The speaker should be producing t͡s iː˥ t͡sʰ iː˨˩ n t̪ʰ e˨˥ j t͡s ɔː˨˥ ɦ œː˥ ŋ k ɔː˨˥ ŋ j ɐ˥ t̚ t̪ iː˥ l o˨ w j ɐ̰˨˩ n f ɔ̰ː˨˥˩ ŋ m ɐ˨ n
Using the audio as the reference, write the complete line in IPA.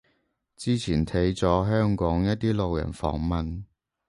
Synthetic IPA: t͡s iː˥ t͡sʰ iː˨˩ n t̪ʰ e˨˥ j t͡s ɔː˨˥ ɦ œː˥ ŋ k ɔː˨˥ ŋ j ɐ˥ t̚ t̪ iː˥ l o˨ w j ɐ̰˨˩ n f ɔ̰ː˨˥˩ ŋ m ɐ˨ n